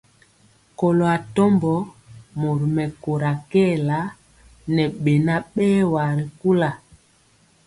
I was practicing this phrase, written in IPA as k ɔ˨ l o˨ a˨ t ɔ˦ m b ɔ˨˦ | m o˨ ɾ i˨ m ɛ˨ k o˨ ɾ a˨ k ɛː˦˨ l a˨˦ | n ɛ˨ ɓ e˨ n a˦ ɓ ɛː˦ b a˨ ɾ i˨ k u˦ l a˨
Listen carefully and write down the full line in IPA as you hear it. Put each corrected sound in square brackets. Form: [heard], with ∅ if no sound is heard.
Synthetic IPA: k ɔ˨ l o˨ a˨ t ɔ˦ m b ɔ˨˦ | m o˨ ɾ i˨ m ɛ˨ k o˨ ɾ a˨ k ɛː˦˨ l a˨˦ | n ɛ˨ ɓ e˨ n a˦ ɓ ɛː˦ [w] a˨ ɾ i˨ k u˦ l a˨